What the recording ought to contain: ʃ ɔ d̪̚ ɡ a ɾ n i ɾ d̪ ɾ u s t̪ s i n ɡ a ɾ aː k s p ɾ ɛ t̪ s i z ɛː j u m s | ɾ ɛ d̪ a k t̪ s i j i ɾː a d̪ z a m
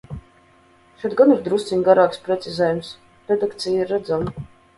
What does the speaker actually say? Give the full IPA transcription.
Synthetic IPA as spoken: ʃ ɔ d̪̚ ɡ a n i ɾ d̪ ɾ u s t̪ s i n ɡ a ɾ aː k s p ɾ ɛ t̪ s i z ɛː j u m s | ɾ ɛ d̪ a k t̪ s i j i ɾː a d̪ z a m